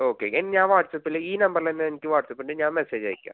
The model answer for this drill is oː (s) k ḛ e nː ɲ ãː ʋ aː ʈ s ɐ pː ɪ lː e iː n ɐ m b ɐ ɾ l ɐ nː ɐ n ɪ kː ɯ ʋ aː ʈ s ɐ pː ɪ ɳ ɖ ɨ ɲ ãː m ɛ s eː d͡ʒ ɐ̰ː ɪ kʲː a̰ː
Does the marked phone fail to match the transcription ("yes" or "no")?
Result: yes